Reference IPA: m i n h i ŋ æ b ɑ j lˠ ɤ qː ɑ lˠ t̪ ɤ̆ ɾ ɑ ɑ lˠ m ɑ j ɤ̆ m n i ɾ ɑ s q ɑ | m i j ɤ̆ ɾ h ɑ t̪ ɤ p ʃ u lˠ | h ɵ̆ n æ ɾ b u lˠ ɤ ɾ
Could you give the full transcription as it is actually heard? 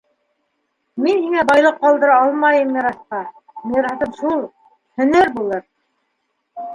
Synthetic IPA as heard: m i n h i ŋ æ b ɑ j lˠ ɤ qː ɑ lˠ d̪ ɤ̆ ɾ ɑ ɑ lˠ m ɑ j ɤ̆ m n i ɾ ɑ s q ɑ | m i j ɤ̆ ɾ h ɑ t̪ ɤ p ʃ u lˠ | h ɵ̆ n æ ɾ b u lˠ ɤ ɾ